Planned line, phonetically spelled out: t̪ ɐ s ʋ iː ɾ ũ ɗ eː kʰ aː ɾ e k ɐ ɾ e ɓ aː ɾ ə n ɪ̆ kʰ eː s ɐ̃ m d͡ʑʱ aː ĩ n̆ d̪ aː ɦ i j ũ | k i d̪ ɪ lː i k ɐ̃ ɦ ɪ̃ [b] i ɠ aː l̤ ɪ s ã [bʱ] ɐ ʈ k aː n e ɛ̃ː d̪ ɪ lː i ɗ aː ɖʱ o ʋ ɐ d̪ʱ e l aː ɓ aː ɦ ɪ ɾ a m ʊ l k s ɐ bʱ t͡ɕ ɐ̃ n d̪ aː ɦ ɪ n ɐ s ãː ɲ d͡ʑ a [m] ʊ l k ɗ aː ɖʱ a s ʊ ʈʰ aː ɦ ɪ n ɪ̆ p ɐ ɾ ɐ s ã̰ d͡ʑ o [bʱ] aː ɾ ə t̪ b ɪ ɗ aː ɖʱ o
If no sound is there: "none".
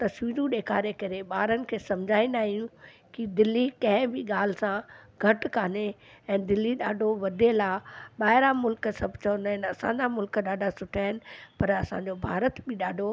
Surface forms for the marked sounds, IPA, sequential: b, ɡʱ, m, bʱ

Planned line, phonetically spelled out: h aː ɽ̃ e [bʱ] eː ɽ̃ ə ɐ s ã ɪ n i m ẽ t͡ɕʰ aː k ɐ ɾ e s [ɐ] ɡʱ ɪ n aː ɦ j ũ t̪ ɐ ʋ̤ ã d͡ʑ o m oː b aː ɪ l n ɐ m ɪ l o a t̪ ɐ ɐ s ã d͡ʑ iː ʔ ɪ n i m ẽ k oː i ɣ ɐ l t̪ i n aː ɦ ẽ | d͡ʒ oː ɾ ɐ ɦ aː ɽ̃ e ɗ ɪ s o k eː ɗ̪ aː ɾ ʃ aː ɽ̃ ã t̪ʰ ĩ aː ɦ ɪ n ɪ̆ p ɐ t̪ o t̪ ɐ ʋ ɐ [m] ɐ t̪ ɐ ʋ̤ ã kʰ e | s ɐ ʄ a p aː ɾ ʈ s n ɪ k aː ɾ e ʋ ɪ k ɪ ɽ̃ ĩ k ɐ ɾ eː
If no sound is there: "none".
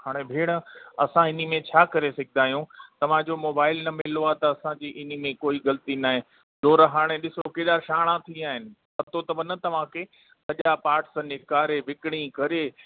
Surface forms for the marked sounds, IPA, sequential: bʱ, ɐ, n

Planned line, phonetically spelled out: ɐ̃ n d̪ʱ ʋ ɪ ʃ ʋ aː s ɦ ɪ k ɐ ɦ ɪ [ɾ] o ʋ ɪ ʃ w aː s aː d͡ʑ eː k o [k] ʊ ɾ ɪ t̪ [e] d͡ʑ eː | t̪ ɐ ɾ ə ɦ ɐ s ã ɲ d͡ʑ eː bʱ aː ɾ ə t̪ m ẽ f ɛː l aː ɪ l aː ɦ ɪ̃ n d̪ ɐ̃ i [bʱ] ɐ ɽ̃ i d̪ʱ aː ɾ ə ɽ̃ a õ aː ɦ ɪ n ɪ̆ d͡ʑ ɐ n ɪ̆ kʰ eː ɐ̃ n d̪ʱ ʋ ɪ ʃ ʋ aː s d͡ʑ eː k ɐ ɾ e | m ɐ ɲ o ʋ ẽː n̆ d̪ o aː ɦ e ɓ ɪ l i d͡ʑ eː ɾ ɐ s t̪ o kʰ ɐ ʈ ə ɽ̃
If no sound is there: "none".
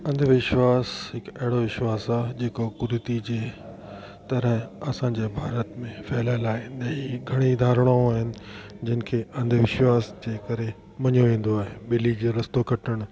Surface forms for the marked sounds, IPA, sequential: ɽ, k, i, ɡʱ

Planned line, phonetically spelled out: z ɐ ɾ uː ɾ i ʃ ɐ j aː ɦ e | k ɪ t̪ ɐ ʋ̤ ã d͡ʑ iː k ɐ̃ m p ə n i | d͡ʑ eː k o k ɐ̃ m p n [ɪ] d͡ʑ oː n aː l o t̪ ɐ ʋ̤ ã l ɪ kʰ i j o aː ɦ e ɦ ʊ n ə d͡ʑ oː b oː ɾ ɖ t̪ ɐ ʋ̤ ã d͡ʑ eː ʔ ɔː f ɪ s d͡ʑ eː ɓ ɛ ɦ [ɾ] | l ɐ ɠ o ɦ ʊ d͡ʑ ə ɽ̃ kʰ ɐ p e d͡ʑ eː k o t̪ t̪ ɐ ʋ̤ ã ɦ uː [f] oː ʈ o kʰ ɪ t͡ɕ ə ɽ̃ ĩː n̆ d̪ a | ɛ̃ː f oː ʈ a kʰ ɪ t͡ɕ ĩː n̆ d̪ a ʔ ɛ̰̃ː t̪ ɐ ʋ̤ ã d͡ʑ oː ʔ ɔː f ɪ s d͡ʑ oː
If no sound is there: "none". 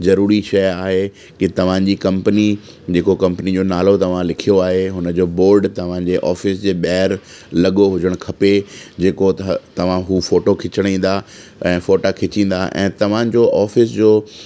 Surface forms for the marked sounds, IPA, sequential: i, ɾ, f

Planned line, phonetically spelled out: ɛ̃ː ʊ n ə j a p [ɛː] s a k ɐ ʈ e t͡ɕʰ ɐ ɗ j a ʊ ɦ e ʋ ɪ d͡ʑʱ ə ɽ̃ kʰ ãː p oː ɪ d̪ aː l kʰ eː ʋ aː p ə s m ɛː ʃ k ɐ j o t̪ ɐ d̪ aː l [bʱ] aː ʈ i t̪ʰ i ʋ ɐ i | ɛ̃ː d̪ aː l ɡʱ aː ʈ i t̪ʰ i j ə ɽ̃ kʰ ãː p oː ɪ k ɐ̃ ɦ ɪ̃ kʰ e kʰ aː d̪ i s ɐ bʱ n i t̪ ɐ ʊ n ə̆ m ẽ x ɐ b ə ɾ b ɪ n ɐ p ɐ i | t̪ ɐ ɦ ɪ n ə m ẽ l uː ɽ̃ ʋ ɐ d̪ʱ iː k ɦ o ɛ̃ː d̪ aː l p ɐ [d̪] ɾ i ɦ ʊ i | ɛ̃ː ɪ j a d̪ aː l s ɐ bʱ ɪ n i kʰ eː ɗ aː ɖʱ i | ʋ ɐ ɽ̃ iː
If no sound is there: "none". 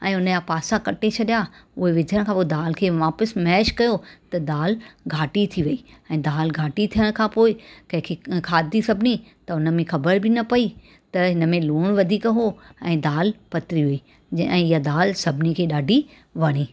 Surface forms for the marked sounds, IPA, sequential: aː, ɡʱ, t̪

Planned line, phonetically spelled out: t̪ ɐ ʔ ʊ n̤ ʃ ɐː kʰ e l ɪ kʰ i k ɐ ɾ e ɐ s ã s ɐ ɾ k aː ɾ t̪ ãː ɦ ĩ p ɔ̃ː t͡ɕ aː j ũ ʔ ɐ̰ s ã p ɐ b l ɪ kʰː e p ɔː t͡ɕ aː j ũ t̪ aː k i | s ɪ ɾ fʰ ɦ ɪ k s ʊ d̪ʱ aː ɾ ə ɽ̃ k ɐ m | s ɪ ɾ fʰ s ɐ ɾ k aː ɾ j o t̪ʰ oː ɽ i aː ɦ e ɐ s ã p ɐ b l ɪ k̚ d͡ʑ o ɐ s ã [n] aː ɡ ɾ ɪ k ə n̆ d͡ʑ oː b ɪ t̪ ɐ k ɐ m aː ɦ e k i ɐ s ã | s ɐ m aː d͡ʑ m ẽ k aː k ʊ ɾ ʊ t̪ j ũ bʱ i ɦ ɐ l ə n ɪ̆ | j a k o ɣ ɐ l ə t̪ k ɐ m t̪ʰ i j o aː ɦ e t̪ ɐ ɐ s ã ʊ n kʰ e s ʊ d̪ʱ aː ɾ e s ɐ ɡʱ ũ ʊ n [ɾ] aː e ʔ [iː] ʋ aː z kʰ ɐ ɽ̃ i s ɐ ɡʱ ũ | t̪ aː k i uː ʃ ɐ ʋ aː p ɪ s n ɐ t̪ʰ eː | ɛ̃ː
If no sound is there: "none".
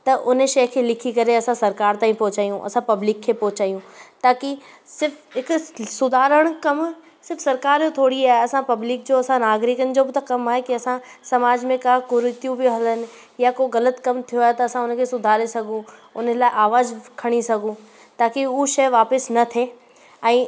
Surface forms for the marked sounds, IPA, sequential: n, l, aː

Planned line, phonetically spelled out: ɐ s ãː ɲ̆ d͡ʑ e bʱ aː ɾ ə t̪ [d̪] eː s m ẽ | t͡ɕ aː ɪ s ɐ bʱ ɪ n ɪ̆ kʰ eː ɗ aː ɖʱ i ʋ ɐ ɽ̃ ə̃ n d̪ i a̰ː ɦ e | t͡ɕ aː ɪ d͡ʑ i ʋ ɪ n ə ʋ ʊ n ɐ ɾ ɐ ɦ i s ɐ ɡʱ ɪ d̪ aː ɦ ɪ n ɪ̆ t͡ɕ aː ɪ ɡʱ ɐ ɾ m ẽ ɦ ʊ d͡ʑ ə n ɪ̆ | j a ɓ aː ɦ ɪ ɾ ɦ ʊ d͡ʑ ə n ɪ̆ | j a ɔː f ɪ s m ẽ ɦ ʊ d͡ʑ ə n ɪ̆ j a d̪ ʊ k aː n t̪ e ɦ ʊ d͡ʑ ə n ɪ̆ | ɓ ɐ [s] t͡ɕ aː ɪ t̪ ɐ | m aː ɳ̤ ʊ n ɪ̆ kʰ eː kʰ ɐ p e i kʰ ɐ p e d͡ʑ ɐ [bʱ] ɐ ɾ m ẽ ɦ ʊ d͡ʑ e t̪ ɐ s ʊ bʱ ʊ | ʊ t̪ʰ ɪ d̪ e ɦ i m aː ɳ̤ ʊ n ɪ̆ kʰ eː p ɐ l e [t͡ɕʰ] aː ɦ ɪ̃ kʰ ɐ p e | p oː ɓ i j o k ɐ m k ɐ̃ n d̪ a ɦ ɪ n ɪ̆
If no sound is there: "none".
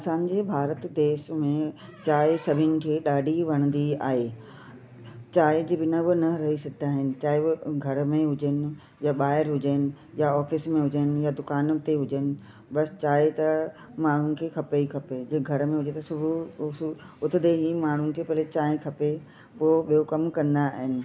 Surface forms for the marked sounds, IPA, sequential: d̪, s, ɡʱ, t͡ɕ

